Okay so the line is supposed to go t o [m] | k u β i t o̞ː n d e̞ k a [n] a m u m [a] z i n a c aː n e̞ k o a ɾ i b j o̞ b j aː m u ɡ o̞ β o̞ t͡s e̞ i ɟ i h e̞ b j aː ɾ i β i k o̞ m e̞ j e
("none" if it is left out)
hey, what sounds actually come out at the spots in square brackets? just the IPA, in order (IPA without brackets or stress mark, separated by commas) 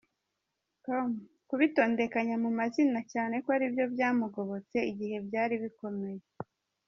m, ɲ, a